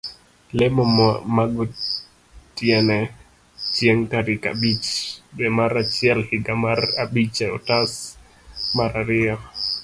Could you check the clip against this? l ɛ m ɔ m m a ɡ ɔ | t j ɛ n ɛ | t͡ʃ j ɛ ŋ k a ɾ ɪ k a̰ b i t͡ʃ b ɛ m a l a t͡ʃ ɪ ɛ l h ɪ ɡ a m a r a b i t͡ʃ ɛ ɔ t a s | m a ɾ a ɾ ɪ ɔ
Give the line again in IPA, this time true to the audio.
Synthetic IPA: l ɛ m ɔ m m a ɡ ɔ | t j ɛ n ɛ | t͡ʃ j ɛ ŋ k a ɾ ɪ k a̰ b i t͡ʃ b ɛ m a ɾ a t͡ʃ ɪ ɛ l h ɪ ɡ a m a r a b i t͡ʃ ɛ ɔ t a s | m a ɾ a ɾ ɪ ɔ